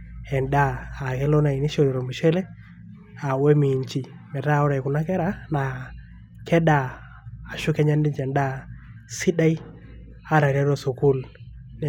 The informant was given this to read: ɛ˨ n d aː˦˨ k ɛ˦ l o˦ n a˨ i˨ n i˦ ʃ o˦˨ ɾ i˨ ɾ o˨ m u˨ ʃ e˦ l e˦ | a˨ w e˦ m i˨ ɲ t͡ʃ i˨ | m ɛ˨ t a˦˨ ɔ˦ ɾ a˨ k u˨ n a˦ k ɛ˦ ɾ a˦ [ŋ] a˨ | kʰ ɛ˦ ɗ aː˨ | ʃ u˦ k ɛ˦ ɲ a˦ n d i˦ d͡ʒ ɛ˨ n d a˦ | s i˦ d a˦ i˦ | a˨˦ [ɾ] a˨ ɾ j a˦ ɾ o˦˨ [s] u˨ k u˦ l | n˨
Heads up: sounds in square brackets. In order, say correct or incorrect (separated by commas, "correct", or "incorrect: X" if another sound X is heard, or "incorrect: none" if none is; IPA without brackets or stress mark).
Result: incorrect: n, correct, correct